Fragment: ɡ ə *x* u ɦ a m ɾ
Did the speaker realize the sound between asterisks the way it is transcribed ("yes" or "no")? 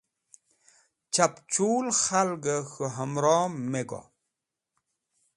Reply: yes